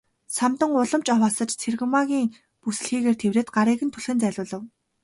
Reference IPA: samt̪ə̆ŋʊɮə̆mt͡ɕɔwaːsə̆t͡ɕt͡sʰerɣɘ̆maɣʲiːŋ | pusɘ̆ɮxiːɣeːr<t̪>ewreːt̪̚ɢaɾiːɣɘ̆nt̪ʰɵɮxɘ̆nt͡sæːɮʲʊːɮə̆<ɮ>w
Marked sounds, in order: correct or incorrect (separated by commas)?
incorrect, incorrect